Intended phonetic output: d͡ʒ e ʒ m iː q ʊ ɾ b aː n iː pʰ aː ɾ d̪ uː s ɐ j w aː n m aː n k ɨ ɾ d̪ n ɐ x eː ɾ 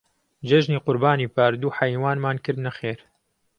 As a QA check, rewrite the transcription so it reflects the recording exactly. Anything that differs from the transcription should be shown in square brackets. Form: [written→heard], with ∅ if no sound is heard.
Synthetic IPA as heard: d͡ʒ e ʒ [m→n] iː q ʊ ɾ b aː n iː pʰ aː ɾ d̪ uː [s→ħ] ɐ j w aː n m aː n k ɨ ɾ d̪ n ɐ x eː ɾ